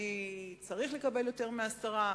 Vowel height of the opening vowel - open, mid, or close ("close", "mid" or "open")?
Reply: close